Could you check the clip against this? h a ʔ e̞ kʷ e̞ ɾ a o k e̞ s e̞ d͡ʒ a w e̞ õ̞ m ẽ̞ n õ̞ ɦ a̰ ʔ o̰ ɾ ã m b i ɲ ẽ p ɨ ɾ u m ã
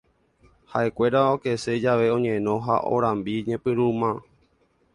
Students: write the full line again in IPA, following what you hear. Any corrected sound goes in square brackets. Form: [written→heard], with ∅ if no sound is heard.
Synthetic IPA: h a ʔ e̞ kʷ e̞ ɾ a o k e̞ s e̞ d͡ʒ a [w→ʋ] e̞ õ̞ [m→ɲ] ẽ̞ n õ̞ ɦ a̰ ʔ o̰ ɾ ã m b i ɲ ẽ p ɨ ɾ u m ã